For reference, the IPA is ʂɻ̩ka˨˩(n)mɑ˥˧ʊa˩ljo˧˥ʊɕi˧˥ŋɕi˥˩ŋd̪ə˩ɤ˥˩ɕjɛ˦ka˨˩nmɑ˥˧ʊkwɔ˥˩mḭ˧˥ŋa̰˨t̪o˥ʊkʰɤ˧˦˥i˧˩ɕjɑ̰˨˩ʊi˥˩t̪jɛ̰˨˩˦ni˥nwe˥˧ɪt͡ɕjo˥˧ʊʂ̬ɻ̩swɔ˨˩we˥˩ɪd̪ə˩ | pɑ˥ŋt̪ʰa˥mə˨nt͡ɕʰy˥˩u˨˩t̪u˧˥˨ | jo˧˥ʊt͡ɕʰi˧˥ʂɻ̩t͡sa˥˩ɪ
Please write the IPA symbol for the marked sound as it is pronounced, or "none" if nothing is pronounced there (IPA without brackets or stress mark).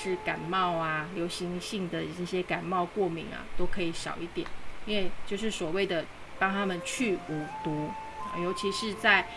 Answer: n